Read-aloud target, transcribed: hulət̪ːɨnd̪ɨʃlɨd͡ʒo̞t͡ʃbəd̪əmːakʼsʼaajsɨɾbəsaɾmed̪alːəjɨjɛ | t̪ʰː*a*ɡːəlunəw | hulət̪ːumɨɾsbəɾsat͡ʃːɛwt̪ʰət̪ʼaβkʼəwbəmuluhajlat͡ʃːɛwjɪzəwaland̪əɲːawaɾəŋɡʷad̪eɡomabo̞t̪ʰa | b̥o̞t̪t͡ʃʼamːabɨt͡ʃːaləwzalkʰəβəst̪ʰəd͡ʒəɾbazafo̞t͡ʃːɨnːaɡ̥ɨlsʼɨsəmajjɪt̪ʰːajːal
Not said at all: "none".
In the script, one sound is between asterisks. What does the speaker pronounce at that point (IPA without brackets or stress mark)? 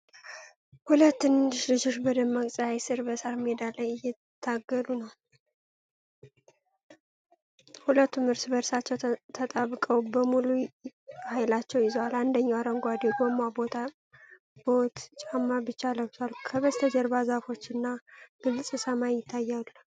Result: a